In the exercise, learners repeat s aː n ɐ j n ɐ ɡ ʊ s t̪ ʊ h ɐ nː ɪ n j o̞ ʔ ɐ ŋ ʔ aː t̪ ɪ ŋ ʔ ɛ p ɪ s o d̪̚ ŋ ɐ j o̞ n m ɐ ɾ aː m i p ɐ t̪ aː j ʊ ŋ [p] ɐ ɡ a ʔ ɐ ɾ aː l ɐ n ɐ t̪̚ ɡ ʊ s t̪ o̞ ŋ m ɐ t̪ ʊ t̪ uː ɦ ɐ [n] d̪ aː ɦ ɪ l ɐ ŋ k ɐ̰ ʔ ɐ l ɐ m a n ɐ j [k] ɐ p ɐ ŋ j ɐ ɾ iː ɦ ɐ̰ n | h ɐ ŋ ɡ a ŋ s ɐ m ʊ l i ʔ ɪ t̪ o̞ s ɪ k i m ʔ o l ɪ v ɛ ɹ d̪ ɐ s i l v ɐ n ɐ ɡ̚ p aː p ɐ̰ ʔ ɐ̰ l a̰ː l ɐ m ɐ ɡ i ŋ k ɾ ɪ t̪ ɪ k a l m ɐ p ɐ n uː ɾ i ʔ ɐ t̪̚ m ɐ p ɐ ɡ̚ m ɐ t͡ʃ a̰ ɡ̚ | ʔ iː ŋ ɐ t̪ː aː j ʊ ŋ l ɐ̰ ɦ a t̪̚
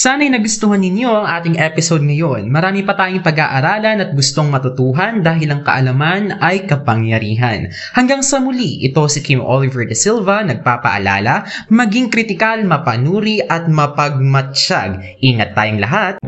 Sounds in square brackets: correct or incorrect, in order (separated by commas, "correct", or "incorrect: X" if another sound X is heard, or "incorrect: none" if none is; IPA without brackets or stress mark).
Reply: correct, correct, correct